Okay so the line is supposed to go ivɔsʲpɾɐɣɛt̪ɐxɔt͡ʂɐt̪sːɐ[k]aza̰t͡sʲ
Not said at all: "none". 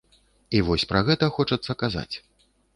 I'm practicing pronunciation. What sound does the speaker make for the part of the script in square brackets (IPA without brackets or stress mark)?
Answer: k